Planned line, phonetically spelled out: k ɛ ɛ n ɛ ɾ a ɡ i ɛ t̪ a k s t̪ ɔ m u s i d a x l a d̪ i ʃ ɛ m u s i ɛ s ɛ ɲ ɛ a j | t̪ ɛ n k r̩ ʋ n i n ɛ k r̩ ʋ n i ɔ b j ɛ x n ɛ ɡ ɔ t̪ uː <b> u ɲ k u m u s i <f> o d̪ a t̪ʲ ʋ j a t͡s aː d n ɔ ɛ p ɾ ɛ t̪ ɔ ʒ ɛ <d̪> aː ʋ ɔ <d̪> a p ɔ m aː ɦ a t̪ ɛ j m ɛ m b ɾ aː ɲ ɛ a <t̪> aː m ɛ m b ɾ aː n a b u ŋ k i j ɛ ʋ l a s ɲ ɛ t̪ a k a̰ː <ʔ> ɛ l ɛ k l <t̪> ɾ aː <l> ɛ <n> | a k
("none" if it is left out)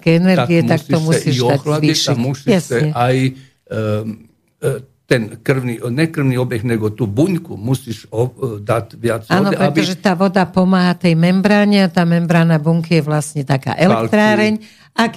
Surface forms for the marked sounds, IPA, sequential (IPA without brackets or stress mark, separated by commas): b, ʃ, t̪, d̪, t̪, ʔ, t̪, ɾ, ɲ